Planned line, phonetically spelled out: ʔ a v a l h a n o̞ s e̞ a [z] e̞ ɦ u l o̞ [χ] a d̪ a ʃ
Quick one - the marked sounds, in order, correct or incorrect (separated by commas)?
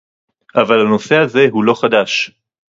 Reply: correct, correct